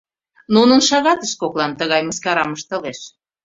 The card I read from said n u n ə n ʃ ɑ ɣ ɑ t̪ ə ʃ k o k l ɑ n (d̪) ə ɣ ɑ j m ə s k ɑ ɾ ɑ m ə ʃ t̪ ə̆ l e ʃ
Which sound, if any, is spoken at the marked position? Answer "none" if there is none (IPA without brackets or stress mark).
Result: t̪